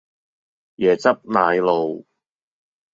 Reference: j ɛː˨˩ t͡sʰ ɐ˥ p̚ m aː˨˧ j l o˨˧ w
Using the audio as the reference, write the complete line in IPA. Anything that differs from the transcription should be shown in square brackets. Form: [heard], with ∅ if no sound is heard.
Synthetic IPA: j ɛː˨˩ [t͡s] ɐ˥ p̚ [n] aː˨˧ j l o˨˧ w